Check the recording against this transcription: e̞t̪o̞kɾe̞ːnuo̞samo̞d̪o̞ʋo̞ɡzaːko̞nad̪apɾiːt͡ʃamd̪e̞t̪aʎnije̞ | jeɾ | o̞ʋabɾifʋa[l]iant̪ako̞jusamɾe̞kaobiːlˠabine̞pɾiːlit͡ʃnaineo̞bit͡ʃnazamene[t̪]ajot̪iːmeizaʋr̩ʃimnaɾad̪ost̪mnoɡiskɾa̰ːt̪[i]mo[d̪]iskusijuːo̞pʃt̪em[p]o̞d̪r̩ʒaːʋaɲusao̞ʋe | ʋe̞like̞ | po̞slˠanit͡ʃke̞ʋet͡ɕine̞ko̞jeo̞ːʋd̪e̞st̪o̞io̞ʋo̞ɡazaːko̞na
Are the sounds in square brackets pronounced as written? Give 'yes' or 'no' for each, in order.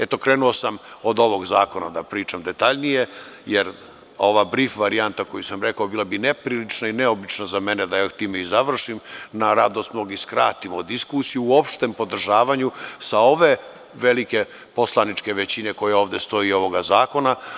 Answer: no, no, yes, yes, yes

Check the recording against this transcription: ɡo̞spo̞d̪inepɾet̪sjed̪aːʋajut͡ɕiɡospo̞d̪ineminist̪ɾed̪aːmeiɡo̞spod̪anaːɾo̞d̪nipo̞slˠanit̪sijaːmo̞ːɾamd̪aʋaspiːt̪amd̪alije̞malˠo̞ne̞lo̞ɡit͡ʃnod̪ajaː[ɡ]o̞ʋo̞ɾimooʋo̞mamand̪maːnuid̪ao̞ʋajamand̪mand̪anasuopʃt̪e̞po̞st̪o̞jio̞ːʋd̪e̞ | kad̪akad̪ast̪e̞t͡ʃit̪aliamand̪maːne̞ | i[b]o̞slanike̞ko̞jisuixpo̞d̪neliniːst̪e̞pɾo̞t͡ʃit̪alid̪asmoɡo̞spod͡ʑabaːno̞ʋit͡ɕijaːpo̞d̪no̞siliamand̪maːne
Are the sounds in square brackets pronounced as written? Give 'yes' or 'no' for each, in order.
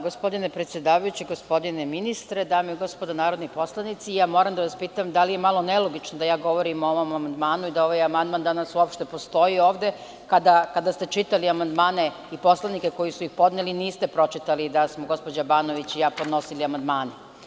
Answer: yes, no

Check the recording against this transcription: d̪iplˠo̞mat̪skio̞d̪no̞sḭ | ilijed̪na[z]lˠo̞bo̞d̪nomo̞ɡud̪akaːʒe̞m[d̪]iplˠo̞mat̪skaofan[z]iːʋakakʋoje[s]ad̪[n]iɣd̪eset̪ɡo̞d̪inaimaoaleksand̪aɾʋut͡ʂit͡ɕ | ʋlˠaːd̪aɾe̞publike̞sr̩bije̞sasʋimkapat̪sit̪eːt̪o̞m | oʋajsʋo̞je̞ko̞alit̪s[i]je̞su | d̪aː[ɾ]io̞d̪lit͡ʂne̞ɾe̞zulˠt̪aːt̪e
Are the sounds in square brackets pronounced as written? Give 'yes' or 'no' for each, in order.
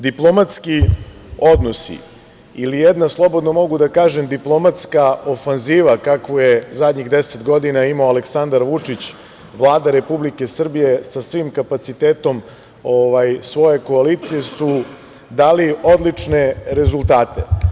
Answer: no, yes, yes, no, no, yes, no

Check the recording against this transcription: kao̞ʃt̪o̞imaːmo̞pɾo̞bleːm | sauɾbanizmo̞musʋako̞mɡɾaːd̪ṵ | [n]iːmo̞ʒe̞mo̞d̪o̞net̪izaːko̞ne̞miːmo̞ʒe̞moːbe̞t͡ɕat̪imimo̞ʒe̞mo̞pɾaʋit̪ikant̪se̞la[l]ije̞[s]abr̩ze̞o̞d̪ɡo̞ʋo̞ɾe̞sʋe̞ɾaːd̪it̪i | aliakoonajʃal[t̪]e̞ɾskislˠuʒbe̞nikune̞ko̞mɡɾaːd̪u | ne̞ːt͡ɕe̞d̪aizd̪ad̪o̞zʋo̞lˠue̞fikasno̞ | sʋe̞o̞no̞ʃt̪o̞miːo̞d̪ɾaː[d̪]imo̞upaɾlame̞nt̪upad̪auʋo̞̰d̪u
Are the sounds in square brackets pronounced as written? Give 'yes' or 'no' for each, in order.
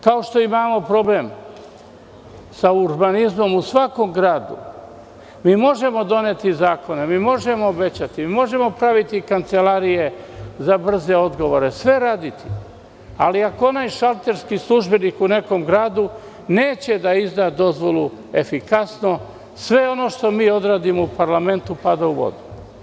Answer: no, no, no, yes, yes

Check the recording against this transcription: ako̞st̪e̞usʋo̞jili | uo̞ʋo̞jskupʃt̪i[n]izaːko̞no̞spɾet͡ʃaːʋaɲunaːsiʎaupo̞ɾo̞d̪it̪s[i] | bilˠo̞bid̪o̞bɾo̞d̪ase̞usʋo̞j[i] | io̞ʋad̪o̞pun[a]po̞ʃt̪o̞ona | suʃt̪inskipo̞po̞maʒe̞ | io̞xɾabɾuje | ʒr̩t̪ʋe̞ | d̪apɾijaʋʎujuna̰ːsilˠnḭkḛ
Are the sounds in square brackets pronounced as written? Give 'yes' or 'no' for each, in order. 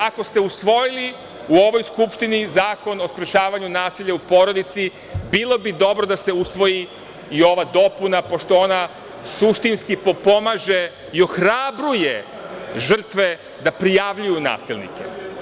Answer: yes, yes, yes, yes

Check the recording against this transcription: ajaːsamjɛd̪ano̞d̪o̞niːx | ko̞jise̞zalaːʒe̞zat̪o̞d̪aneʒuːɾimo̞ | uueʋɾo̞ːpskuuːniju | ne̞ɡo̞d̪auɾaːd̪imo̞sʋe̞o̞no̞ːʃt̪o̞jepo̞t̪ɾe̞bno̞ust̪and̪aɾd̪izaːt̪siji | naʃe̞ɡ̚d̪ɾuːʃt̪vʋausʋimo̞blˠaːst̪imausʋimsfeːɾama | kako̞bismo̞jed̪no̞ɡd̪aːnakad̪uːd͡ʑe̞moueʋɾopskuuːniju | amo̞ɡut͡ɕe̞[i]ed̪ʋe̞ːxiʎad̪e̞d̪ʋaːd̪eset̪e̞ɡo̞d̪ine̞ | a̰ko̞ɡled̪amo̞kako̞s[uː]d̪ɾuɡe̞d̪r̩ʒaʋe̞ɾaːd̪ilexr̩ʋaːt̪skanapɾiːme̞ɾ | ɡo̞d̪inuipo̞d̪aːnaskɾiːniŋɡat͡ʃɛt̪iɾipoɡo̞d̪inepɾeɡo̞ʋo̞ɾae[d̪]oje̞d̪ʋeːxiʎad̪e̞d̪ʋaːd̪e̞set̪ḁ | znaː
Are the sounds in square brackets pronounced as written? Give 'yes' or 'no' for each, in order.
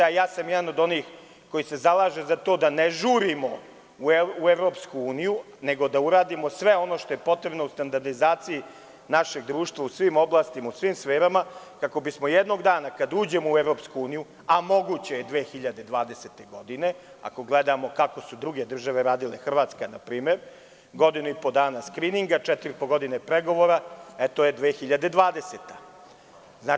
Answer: no, no, no

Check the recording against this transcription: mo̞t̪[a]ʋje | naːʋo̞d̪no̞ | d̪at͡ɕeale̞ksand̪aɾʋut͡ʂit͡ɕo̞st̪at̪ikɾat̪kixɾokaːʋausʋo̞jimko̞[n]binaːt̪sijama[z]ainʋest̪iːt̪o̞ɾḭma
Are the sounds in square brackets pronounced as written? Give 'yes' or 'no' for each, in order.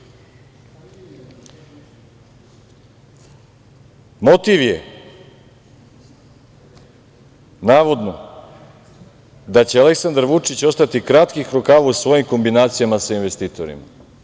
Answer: no, no, no

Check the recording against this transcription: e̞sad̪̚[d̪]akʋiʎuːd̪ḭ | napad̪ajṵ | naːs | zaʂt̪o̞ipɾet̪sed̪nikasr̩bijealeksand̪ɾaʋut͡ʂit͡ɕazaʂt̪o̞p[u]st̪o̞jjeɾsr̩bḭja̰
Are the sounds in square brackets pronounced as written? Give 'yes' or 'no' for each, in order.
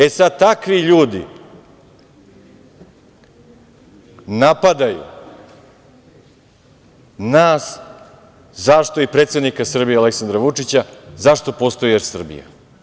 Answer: no, no

